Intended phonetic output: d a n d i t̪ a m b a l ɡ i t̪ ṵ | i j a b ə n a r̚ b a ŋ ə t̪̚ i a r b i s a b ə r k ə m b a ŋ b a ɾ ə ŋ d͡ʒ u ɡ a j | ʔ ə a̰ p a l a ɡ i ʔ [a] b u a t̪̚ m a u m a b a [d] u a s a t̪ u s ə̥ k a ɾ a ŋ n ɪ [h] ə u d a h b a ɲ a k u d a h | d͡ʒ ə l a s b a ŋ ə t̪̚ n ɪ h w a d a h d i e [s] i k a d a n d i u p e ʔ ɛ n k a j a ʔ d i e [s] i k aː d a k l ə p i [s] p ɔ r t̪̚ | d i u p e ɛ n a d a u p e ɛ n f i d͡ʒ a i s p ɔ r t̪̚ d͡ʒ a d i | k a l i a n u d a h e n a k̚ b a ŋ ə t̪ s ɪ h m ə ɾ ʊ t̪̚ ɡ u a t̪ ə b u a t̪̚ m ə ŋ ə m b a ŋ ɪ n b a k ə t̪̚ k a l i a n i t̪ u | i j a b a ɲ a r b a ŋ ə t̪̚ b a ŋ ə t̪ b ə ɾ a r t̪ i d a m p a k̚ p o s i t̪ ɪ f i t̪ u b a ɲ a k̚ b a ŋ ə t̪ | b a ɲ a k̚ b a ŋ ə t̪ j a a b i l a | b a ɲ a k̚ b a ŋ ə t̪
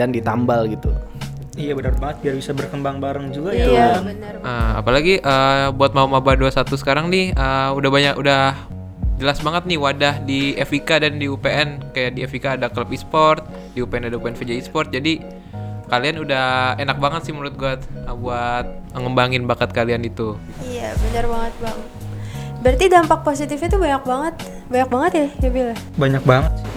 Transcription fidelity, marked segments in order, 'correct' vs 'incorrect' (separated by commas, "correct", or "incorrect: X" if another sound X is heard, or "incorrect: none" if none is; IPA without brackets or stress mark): incorrect: ə, correct, correct, incorrect: f, incorrect: f, correct